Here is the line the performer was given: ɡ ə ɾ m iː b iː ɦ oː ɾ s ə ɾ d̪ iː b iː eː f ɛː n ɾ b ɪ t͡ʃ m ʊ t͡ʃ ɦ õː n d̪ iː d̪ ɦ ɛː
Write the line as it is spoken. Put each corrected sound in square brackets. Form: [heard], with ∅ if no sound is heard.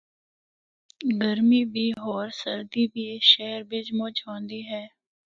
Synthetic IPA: ɡ ə ɾ m iː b iː ɦ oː ɾ s ə ɾ d̪ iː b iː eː [ʃ] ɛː [∅] ɾ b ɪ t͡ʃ m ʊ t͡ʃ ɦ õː n d̪ iː [∅] ɦ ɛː